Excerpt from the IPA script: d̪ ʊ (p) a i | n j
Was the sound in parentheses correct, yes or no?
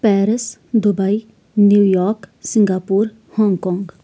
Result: no